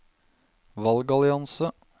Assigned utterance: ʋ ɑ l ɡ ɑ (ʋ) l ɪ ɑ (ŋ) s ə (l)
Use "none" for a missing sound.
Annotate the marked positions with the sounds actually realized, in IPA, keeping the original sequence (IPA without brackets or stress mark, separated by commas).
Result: none, n, none